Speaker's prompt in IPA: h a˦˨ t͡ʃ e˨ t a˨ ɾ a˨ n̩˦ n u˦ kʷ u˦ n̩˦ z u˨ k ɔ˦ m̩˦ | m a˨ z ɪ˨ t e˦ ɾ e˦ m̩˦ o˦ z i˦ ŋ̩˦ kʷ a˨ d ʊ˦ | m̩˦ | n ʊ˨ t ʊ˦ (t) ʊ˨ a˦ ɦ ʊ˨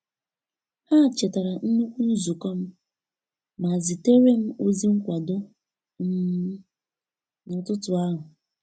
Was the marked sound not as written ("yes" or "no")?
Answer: no